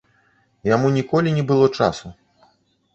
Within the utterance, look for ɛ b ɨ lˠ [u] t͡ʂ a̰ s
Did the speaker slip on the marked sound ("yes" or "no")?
yes